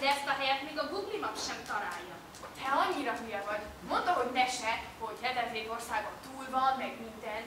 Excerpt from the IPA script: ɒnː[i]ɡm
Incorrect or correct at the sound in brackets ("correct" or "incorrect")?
incorrect